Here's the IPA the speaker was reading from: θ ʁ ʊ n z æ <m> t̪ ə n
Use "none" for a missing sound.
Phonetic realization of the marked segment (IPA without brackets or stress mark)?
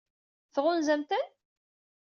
m